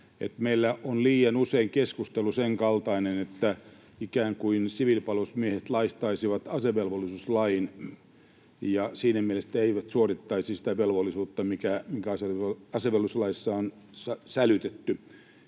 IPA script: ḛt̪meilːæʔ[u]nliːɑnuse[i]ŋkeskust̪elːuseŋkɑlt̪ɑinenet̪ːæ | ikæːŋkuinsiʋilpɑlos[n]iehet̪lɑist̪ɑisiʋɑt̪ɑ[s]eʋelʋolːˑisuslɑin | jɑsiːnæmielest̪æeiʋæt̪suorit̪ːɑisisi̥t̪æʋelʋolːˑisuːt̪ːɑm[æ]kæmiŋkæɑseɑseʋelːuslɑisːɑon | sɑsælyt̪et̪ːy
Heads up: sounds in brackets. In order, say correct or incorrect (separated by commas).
incorrect, correct, incorrect, correct, incorrect